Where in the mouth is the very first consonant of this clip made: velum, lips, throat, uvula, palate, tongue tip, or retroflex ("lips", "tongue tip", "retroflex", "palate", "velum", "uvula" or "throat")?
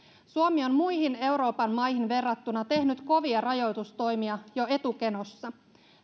tongue tip